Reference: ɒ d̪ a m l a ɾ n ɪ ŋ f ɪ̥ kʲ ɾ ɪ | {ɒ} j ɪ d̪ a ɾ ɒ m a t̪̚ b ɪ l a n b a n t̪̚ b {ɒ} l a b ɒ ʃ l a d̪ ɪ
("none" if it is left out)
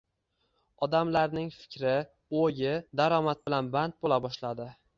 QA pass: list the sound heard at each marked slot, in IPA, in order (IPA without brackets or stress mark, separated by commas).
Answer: o, o